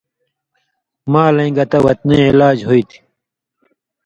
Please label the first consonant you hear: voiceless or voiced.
voiced